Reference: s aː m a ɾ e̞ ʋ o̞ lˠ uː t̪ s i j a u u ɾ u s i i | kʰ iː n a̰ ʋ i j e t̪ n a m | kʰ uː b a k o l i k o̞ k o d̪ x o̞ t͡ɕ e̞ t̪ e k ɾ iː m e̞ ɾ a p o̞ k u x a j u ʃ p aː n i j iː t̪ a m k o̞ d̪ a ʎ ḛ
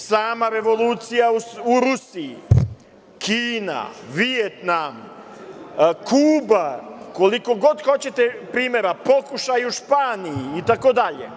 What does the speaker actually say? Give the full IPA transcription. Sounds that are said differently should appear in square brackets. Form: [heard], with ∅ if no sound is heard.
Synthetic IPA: s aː m a ɾ e̞ ʋ o̞ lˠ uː t̪ s i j a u u ɾ u s i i | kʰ iː n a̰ ʋ i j e t̪ n a m | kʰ uː b a k o l i k o̞ [ɡ] o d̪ x o̞ t͡ɕ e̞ t̪ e [p] ɾ iː m e̞ ɾ a p o̞ k u [ʃ] a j u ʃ p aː n i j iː t̪ a [∅] k o̞ d̪ a ʎ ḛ